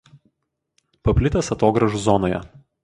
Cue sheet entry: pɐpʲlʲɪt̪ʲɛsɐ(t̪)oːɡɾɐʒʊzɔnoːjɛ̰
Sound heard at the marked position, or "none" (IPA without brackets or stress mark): t̪